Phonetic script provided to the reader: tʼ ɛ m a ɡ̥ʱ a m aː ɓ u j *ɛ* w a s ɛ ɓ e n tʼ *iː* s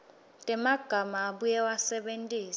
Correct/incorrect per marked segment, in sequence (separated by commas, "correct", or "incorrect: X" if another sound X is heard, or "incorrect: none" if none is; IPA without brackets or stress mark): correct, correct